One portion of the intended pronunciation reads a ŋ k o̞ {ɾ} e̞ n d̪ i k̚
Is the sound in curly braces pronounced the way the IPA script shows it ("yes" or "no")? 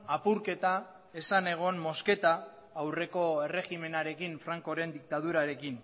yes